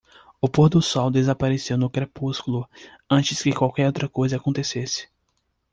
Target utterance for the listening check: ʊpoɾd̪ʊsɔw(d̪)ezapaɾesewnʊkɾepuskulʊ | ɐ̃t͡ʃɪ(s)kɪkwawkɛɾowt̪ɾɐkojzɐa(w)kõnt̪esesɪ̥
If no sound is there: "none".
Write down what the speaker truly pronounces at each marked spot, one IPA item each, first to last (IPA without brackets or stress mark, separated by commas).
d̪, s, none